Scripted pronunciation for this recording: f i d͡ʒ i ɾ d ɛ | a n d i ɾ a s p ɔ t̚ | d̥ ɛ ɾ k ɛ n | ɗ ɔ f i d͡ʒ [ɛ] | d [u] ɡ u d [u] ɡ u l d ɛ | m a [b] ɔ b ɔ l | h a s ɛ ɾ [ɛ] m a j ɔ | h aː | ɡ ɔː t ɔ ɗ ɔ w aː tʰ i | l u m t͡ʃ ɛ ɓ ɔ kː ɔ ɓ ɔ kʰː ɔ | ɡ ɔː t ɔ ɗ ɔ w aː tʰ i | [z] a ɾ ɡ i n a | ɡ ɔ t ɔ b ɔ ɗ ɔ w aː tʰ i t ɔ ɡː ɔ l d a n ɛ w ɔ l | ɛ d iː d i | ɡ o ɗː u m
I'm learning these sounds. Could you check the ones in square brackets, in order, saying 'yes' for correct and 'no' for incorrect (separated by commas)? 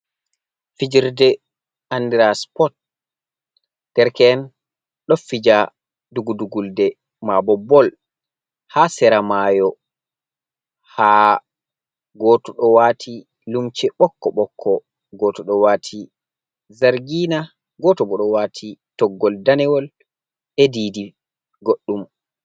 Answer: no, yes, yes, yes, no, yes